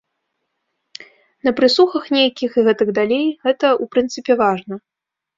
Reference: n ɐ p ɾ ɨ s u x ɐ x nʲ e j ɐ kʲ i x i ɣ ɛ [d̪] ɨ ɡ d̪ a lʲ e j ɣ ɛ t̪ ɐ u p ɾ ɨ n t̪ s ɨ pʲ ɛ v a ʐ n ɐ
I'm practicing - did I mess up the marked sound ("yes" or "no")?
yes